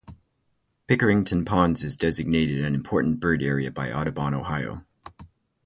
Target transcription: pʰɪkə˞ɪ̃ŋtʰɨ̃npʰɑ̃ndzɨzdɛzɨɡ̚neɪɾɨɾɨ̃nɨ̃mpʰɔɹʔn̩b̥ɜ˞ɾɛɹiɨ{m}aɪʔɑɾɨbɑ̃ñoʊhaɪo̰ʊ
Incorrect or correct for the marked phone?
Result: incorrect: b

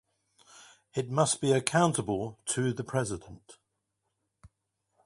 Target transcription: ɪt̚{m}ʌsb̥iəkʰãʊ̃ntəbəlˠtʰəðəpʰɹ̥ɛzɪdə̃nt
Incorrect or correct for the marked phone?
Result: correct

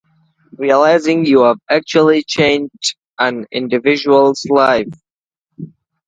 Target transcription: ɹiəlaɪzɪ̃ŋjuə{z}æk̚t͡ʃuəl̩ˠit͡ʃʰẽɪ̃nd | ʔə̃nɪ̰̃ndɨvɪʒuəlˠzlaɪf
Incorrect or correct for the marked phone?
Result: incorrect: v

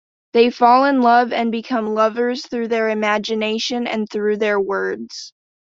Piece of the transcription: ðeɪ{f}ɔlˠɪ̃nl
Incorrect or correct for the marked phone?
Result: correct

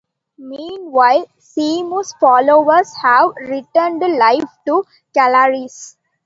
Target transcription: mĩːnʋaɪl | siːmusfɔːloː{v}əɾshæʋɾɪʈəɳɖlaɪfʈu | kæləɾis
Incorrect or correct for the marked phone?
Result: incorrect: ʋ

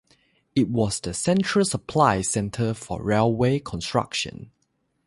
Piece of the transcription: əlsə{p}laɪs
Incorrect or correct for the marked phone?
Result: incorrect: pʰ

